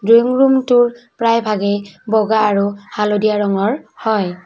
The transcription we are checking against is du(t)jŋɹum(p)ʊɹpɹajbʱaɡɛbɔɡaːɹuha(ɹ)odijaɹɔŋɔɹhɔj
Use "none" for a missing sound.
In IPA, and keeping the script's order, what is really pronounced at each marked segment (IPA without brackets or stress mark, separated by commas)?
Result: none, t, l